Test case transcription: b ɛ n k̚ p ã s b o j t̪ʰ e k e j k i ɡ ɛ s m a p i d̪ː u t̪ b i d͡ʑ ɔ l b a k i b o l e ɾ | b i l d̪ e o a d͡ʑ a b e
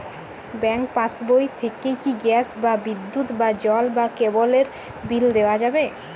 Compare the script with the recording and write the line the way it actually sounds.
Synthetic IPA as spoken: b ɛ ŋ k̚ p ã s b o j t̪ʰ e k e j k i ɡ ɛ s b a b i d̪ː u t̪ b a d͡ʑ ɔ l b a k e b o l e ɾ | b i l d̪ e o a d͡ʑ a b e